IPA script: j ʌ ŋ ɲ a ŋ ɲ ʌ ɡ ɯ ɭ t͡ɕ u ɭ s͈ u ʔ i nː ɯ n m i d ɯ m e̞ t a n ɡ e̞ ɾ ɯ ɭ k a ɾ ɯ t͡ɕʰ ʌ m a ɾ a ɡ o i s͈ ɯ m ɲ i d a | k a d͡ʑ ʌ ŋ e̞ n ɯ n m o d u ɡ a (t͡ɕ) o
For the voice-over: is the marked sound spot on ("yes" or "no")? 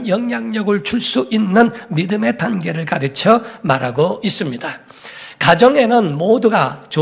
yes